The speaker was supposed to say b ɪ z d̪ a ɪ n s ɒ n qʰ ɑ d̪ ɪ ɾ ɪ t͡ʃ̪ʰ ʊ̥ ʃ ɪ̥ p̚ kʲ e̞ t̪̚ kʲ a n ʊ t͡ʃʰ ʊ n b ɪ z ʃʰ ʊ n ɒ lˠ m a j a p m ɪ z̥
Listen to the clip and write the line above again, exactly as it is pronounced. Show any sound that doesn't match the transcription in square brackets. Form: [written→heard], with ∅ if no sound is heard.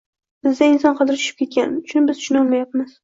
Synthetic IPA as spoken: b ɪ z d̪ a ɪ n s ɒ n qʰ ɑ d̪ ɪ ɾ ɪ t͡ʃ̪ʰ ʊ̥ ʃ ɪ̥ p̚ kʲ e̞ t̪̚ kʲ a n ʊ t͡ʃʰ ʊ n b ɪ z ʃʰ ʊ n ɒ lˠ m a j a p m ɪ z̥